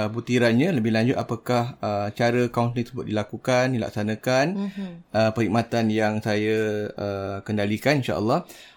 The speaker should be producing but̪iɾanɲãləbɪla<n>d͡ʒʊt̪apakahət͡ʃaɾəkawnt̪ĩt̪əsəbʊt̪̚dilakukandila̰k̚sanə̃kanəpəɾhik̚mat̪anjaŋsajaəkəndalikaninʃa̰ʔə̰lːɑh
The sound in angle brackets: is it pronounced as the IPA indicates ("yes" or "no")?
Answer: no